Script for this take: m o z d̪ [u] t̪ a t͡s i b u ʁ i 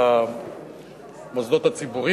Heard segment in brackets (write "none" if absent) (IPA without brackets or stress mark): o